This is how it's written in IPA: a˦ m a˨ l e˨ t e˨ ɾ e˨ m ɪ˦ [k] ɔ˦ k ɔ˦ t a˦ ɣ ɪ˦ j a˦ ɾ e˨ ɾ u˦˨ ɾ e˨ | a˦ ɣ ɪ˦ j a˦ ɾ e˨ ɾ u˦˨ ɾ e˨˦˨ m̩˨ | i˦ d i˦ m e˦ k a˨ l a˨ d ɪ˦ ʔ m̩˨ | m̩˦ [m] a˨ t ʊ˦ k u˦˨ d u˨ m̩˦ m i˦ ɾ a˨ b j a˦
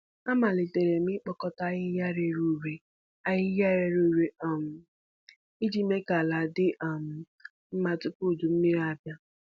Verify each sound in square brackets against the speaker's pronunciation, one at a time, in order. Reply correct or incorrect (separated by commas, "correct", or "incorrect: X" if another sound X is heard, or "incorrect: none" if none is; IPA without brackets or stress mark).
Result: incorrect: k͡p, correct